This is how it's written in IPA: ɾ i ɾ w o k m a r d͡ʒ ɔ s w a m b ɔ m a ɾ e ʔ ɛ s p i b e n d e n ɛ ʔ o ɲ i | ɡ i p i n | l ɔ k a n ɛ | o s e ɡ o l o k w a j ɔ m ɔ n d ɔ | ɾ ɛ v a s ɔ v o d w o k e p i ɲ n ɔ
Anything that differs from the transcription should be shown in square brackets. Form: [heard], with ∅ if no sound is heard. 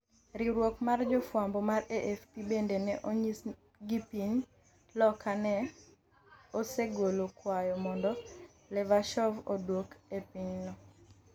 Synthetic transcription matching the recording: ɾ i ɾ w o k m a r d͡ʒ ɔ [f] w a m b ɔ m a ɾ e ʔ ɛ [f] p i b e n d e n ɛ ʔ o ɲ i | ɡ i p i [ɲ] | l ɔ k a n ɛ | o s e ɡ o l o k w a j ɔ m ɔ n d ɔ | [l] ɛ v a [ʃ] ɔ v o d w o k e p i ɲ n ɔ